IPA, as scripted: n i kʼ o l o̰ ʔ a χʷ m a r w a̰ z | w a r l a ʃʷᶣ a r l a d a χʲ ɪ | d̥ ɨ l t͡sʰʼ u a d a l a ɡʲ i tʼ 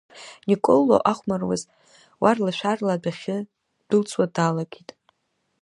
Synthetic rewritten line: n i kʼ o l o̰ ʔ a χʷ m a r w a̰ z | w a r l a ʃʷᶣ a r l a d a χʲ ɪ | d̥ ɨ l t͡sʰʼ w a d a l a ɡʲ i tʼ